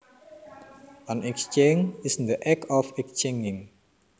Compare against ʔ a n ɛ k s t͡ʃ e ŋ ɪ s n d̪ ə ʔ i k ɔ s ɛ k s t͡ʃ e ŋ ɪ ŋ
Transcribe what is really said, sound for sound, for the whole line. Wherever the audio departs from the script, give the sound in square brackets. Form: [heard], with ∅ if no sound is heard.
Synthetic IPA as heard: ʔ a n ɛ k s t͡ʃ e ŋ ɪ s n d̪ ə ʔ [ɛ] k ɔ [f] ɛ k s t͡ʃ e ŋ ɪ ŋ